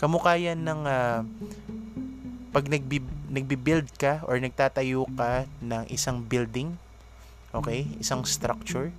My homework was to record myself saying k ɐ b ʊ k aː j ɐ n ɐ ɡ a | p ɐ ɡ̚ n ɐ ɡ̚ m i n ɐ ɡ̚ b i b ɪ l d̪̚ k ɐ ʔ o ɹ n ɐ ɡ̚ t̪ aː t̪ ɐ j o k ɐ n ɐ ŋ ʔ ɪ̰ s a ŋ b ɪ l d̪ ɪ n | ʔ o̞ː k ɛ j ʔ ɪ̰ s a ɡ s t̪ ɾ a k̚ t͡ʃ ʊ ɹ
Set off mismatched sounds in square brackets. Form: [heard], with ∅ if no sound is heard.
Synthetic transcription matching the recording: k ɐ [m] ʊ k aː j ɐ n ɐ [ŋ] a | p ɐ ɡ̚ n ɐ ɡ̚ [b] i n ɐ ɡ̚ b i b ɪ l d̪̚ k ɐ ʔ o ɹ n ɐ ɡ̚ t̪ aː t̪ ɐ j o k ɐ n ɐ ŋ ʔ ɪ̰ s a ŋ b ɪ l d̪ ɪ [ŋ] | ʔ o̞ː k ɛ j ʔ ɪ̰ s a [ŋ] s t̪ ɾ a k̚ t͡ʃ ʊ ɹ